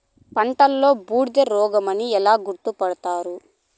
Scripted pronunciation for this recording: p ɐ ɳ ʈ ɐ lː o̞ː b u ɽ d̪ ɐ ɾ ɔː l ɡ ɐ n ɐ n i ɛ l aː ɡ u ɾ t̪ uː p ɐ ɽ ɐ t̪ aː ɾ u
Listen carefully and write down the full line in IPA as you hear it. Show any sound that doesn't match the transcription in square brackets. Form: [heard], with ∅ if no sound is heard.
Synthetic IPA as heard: p ɐ ɳ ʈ ɐ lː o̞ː b [uː] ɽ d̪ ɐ ɾ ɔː [∅] ɡ ɐ [m] ɐ n i ɛ l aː ɡ u ɾ t̪ [u] p ɐ ɽ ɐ t̪ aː ɾ u